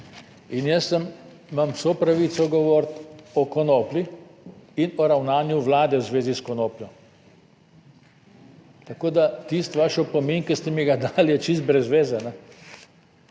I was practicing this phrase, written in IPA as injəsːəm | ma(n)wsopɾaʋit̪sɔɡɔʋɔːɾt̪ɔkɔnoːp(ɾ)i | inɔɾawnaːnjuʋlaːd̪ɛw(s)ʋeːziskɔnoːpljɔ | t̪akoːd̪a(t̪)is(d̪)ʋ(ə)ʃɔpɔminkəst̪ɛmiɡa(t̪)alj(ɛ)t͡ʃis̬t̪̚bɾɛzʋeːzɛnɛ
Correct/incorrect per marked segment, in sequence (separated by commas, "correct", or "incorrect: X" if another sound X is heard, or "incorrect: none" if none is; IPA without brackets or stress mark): incorrect: m, incorrect: l, incorrect: z, correct, incorrect: t̪, incorrect: a, incorrect: d̪, correct